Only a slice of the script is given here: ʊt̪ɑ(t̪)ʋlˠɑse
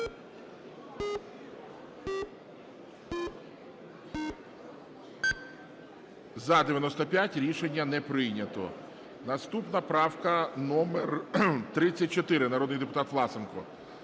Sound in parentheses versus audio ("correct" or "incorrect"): correct